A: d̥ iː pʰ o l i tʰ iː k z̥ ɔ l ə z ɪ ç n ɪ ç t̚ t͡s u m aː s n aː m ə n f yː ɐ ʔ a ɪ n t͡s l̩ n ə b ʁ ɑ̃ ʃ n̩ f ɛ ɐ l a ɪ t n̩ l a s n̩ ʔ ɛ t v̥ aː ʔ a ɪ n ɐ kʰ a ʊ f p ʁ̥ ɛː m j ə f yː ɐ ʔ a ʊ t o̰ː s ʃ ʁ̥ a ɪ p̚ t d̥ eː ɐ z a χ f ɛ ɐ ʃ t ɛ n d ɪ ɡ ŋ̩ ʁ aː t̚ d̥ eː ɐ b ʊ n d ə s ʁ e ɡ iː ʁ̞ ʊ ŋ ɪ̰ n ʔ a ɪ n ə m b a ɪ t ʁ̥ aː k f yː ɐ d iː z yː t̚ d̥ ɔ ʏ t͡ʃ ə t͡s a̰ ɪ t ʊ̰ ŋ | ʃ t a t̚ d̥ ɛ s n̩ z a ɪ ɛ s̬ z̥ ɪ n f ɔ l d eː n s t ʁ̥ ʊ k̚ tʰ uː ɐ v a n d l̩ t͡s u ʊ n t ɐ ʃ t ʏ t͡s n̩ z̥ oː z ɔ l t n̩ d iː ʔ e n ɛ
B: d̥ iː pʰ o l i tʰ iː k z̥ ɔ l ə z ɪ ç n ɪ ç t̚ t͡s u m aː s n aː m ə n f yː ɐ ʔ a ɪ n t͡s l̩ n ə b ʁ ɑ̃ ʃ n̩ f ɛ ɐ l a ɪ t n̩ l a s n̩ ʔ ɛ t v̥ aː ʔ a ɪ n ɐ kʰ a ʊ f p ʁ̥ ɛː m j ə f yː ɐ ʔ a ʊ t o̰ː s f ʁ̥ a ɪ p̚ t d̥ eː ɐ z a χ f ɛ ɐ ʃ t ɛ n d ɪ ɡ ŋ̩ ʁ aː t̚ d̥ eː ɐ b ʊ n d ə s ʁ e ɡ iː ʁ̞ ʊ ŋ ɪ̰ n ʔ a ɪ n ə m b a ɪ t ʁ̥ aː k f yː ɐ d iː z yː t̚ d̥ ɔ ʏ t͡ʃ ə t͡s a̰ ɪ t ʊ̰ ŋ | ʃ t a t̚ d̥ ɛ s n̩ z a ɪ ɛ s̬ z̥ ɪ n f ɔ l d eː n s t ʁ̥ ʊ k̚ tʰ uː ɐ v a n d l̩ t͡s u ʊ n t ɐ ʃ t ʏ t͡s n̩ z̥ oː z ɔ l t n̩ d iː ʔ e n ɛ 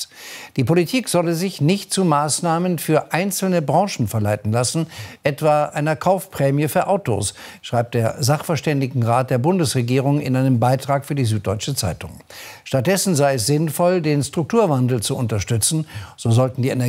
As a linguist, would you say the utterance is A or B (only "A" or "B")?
A